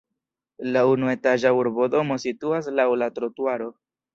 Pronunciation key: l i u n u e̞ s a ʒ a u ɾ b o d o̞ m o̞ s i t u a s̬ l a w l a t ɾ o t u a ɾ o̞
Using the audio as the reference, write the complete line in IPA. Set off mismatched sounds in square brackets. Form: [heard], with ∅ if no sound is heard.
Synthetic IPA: l [a] u n u e̞ [t] a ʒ a u ɾ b o d o̞ m o̞ s i t u a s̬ l a w l a t ɾ o t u a ɾ o̞